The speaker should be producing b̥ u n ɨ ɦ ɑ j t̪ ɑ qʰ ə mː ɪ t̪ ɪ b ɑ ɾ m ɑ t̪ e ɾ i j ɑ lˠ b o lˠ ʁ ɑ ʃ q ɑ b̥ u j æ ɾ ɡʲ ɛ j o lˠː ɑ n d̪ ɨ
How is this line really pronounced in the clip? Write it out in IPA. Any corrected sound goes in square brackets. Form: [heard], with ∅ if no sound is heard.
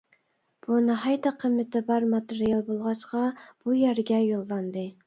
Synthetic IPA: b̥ u n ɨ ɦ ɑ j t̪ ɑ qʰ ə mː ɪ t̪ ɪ b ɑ ɾ m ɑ t̪ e ɾ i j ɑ lˠ b o lˠ ʁ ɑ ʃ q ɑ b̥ u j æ ɾ ɡʲ ɛ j o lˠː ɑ n d̪ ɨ